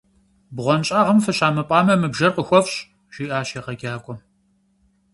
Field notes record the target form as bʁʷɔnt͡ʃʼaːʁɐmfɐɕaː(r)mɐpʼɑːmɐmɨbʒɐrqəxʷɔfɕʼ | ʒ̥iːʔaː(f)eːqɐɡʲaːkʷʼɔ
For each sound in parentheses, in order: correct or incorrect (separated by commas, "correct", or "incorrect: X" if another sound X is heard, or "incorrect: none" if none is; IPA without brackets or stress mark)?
incorrect: none, incorrect: ɕ